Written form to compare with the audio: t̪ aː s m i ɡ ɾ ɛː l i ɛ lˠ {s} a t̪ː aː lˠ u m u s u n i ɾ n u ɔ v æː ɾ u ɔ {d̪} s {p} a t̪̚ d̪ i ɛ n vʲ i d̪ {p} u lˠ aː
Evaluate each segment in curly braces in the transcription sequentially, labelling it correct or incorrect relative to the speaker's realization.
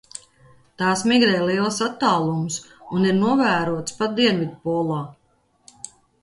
correct, incorrect: t̪, correct, correct

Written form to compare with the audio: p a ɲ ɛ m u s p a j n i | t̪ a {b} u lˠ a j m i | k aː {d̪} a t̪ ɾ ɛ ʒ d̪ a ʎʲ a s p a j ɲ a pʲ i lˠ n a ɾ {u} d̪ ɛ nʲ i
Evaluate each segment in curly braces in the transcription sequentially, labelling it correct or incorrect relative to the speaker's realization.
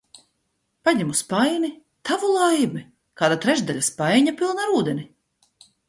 incorrect: v, correct, incorrect: uː

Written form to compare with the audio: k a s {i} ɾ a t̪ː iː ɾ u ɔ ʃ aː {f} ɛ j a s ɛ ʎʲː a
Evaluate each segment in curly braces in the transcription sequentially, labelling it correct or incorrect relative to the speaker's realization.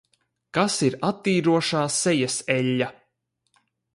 correct, incorrect: s

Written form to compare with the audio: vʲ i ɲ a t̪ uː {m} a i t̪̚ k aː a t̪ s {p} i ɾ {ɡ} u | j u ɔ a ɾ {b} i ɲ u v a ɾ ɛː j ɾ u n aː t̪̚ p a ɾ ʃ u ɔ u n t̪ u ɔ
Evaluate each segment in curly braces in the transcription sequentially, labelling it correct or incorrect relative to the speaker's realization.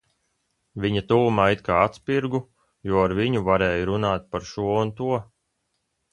correct, correct, correct, incorrect: v

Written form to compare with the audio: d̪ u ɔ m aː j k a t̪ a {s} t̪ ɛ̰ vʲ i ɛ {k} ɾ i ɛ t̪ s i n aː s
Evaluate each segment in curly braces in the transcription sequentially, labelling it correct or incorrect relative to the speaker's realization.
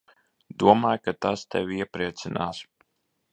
correct, incorrect: p

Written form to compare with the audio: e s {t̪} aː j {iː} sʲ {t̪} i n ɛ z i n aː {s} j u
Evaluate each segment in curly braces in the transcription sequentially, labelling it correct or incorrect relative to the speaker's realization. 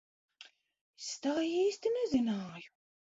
correct, correct, correct, incorrect: none

